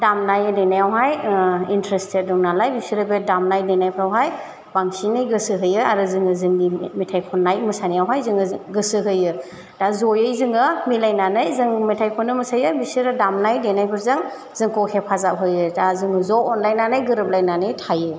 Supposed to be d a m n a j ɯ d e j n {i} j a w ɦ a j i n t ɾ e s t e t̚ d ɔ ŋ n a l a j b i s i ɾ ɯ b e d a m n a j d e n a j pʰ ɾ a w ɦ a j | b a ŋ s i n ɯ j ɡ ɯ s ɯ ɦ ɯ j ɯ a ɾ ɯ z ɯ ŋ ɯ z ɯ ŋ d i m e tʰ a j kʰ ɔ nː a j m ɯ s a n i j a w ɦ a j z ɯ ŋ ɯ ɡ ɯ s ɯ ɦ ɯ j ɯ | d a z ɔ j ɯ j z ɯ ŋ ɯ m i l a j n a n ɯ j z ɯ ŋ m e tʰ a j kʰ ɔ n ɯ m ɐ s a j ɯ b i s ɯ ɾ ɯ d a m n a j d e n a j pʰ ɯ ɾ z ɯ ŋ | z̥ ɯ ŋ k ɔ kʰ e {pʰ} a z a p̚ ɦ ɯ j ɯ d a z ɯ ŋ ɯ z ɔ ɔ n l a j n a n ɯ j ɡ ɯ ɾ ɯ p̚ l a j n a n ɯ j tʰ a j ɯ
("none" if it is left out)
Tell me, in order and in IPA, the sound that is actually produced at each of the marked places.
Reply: a, pʰ

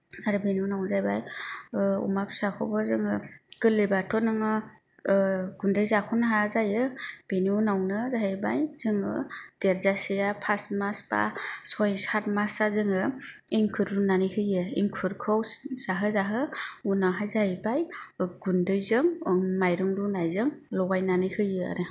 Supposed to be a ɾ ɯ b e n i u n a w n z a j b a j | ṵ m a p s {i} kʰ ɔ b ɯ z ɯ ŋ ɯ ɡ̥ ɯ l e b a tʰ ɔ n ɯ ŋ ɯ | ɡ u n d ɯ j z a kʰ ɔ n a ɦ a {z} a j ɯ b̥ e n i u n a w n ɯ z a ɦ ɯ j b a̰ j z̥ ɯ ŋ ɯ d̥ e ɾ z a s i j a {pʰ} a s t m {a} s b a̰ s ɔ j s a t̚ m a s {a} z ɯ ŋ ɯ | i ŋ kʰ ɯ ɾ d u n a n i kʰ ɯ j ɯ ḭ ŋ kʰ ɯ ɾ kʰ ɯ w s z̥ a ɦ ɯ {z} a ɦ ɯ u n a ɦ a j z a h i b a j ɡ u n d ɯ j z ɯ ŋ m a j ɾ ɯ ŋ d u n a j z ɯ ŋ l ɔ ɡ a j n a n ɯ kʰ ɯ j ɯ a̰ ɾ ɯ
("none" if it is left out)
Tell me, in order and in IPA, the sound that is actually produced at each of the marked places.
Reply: a, z, pʰ, a, a, z

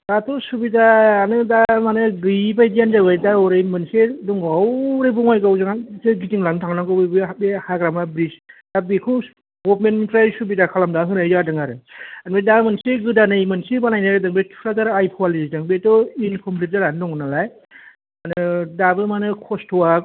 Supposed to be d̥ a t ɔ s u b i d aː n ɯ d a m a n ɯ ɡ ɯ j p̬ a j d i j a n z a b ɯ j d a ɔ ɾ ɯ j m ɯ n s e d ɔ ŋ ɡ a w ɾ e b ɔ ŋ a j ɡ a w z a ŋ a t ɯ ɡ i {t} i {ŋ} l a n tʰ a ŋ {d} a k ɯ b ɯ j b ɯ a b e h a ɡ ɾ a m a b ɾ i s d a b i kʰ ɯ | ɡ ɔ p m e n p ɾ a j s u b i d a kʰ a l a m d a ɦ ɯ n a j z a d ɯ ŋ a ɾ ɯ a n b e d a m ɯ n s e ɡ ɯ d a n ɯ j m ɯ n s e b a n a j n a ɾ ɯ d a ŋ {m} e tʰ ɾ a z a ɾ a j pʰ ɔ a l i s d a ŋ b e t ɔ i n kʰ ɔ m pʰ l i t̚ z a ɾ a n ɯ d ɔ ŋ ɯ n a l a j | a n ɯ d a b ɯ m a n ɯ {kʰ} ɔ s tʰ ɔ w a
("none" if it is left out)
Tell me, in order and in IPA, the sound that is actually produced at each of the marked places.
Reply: t, ŋ, n, b, kʰ

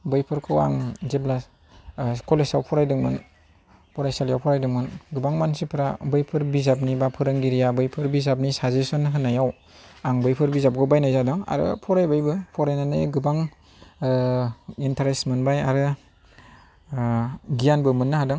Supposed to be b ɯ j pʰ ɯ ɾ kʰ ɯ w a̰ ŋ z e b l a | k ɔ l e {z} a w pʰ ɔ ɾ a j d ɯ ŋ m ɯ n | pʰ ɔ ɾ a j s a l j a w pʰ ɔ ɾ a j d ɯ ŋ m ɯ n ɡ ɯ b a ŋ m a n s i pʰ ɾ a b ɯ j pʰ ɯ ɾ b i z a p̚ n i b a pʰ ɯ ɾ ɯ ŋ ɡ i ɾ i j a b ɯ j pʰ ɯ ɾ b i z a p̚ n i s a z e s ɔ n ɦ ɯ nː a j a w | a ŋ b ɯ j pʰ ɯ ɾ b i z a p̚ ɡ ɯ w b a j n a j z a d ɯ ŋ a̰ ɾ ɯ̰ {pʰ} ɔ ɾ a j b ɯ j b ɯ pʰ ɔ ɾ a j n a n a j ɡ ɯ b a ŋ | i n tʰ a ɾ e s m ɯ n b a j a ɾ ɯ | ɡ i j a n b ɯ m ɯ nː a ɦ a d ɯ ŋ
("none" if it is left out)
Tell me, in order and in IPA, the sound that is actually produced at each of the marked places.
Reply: s, pʰ

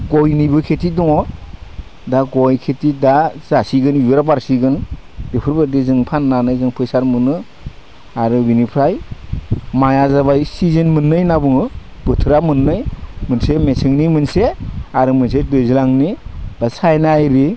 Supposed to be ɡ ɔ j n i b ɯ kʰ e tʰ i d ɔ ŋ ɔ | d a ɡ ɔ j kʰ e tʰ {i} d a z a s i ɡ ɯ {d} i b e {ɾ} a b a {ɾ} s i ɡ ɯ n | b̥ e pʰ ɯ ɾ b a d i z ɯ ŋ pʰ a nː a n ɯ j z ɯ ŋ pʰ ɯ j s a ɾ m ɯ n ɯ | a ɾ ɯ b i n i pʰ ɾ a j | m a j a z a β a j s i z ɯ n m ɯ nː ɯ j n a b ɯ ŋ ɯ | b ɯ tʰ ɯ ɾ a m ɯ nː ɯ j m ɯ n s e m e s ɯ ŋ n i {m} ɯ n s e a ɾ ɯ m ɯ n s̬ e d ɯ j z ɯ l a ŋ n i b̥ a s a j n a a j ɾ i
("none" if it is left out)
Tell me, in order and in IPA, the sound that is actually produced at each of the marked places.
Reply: i, n, ɾ, ɾ, m

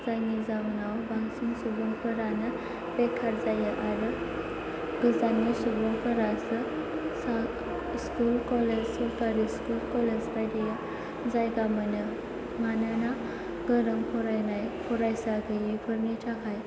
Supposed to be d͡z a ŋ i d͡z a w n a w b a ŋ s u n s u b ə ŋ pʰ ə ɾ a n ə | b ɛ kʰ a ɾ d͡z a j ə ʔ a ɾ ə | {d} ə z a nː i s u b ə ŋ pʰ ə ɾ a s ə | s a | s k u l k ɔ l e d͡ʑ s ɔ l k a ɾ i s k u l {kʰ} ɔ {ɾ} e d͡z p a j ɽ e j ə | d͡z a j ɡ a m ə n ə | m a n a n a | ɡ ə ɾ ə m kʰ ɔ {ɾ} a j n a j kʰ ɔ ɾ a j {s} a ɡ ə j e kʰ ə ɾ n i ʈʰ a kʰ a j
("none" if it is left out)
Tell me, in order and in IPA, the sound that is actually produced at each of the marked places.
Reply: ɡ, k, l, ɾ, s

